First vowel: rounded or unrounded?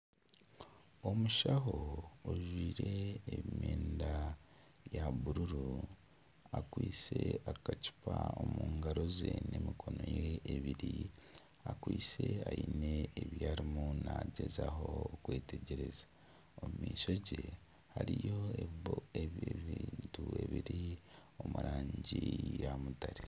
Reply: rounded